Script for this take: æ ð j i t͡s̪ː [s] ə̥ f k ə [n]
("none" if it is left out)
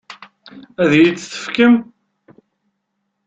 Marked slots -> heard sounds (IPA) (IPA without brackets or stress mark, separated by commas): θ, m